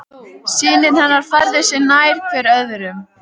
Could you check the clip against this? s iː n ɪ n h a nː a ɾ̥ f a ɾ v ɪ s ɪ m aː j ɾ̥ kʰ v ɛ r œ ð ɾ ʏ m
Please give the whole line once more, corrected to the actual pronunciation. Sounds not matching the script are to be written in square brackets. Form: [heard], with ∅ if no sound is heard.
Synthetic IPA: s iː n ɪ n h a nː a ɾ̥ f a ɾ [ð] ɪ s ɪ [n] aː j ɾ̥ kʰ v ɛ [ɾ] œ ð ɾ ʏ m

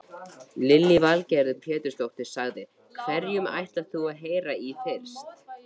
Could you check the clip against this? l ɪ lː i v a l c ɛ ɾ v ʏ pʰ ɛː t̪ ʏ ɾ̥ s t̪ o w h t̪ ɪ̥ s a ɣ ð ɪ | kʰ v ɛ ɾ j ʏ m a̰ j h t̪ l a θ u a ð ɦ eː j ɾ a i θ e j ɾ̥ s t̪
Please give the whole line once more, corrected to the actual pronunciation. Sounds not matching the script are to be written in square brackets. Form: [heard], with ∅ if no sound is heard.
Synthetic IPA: l ɪ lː i v a l c ɛ ɾ [ð] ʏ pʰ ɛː t̪ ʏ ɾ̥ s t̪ o w h t̪ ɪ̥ s a ɣ ð ɪ | kʰ v ɛ ɾ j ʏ m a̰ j h t̪ l a θ u a ð ɦ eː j ɾ a i θ e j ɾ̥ s t̪

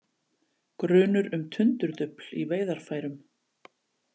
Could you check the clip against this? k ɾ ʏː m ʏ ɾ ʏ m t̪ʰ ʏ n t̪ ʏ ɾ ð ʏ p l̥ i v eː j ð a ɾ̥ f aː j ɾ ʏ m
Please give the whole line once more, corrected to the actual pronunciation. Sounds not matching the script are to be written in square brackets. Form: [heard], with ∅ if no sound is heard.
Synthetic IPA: k ɾ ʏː [n] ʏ ɾ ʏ m t̪ʰ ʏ n t̪ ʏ ɾ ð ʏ p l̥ i v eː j ð a ɾ̥ f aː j ɾ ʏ m

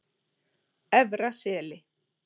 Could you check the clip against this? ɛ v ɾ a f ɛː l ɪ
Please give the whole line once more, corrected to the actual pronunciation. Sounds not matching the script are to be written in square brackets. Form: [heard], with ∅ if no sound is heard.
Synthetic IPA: ɛ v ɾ a [s] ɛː l ɪ

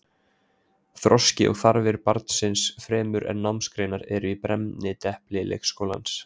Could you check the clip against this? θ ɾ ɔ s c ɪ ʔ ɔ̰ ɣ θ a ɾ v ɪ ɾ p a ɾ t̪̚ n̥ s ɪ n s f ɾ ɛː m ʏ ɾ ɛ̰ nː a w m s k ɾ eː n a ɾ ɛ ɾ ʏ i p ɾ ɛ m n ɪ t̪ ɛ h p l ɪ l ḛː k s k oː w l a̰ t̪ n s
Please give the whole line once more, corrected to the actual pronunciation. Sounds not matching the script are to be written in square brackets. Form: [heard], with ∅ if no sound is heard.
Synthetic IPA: θ ɾ ɔ s c ɪ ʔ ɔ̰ ɣ θ a ɾ v ɪ ɾ p a ɾ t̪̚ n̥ s ɪ n s f ɾ ɛː m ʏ ɾ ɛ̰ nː a w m s k ɾ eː n a ɾ ɛ ɾ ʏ i p ɾ ɛ m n ɪ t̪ ɛ h p l ɪ l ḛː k s k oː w l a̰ [∅] n s

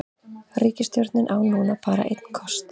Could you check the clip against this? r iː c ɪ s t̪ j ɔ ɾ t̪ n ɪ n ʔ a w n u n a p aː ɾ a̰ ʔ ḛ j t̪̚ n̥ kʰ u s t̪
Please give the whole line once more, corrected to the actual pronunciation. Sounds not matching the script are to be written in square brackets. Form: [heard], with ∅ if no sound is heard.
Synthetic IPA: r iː c ɪ s t̪ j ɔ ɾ t̪ n ɪ n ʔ a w n [uː] n a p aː ɾ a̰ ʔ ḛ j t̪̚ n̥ kʰ [ɔ] s t̪

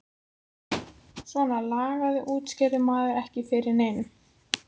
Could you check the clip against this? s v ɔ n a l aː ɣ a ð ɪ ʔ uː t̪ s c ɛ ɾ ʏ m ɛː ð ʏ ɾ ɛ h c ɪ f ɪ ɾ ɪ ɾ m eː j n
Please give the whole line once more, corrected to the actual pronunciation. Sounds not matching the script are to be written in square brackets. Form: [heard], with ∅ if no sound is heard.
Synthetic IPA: s v ɔ n a l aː ɣ a ð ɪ ʔ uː t̪ s c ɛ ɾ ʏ m [aː] ð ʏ ɾ ɛ h c ɪ f ɪ ɾ ɪ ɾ [n] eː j n

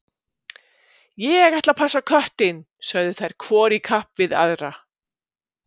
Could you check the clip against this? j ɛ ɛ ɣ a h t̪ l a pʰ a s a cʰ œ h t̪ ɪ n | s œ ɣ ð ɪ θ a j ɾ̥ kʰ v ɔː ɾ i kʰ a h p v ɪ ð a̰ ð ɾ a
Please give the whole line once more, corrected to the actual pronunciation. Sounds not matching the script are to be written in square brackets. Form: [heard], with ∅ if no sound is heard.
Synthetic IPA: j ɛ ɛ ɣ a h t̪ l a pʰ a s a [kʰ] œ h t̪ ɪ n | s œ ɣ ð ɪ θ a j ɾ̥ kʰ v ɔː ɾ i kʰ a h p v ɪ ð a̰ ð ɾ a

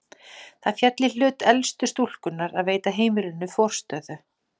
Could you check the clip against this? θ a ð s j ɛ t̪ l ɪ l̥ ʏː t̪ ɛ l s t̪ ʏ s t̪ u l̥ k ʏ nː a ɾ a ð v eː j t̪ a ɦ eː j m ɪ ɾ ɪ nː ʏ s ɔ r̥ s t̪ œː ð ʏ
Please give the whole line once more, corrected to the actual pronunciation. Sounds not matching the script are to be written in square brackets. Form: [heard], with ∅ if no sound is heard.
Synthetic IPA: θ a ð [f] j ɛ t̪ l ɪ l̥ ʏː t̪ ɛ l s t̪ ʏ s t̪ u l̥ k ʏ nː a ɾ a ð v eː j t̪ a ɦ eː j m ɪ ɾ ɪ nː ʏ [f] ɔ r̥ s t̪ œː ð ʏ

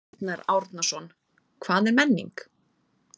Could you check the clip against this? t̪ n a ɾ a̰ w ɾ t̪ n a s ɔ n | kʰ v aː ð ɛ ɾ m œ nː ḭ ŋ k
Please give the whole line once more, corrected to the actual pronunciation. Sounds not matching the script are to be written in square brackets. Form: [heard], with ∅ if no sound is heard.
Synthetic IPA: t̪ n a ɾ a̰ w ɾ t̪ n a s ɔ n | kʰ v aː ð ɛ ɾ m [ɛ] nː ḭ ŋ k

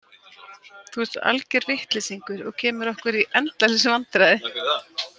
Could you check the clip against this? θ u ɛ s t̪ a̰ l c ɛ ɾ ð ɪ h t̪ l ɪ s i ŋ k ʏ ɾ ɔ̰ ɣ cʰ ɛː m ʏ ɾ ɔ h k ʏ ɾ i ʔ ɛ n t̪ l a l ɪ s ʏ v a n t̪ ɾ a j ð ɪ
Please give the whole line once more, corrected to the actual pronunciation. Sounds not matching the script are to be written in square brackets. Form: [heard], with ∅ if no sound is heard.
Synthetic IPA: θ u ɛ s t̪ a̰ l c ɛ ɾ [v] ɪ h t̪ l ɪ s i ŋ k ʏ ɾ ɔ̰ ɣ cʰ ɛː m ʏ ɾ ɔ h k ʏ ɾ i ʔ ɛ n t̪ l a l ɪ s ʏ v a n t̪ ɾ a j ð ɪ

